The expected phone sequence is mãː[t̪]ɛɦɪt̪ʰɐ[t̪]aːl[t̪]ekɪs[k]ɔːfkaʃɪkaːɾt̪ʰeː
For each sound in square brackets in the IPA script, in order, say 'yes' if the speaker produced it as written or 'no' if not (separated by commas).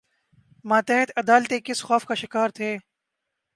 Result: yes, no, yes, no